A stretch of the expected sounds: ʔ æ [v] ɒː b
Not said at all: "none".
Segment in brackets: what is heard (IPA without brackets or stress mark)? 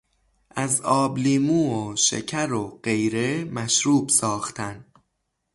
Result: z